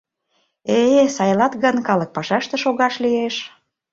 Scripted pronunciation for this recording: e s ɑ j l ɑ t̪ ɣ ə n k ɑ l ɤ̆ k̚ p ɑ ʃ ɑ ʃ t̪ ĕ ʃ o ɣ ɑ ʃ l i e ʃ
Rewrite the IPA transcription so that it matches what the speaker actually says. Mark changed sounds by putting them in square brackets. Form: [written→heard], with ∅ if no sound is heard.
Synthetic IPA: e s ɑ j l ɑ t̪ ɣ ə n k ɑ l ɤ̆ k̚ p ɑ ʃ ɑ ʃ t̪ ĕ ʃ o ɣ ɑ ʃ l i e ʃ